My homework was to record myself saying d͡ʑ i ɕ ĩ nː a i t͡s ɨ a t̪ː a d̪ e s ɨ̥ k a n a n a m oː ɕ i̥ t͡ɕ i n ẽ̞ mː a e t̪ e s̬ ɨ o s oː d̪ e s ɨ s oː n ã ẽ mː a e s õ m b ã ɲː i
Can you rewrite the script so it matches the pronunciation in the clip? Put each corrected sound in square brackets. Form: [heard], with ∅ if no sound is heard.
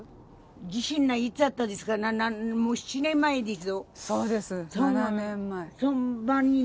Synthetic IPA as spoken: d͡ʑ i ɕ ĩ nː a i t͡s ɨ a t̪ː a d̪ e s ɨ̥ k a n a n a m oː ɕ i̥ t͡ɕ i n ẽ̞ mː a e [d̪] e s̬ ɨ o s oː d̪ e s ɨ s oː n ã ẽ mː a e s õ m b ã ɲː i